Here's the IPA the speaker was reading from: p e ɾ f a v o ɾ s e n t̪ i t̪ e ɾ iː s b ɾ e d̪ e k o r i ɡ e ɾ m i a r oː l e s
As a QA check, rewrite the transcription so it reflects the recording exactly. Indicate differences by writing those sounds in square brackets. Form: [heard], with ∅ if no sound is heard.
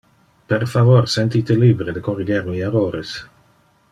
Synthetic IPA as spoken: p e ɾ f a v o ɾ s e n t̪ i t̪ e [l] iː [∅] b ɾ e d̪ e k o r i ɡ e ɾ m i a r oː [ɾ] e s